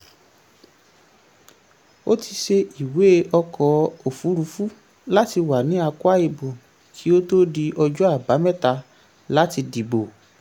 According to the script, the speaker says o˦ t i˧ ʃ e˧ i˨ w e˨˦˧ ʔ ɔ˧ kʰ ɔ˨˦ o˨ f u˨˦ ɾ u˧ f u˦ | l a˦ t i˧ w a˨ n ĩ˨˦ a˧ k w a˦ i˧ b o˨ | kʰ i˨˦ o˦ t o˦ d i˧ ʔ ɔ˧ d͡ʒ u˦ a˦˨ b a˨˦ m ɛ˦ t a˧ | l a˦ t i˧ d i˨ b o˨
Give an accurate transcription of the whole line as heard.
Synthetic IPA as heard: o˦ t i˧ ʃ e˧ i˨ w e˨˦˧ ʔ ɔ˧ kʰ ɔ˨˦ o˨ f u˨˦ ɾ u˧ f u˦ | l a˦ t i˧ w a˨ n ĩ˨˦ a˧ k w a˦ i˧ b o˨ | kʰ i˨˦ o˦ t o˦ d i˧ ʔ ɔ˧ d͡ʒ ɔ˦ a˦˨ b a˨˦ m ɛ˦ t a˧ | l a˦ t i˧ d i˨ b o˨